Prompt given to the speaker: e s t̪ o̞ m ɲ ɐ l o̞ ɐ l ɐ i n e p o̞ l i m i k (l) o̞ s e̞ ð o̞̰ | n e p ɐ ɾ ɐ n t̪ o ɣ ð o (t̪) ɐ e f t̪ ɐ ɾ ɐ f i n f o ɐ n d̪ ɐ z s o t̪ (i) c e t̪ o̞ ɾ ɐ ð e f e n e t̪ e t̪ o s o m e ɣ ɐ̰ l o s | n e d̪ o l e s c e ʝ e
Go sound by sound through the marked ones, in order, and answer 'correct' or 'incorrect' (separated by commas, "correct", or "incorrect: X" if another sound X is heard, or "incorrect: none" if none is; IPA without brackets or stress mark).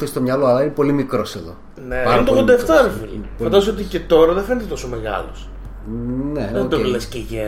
incorrect: ɾ, incorrect: d̪, correct